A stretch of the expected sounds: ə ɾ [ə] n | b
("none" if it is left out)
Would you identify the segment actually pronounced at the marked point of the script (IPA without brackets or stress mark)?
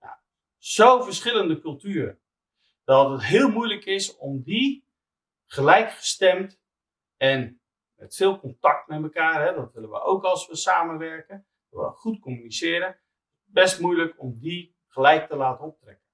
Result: ə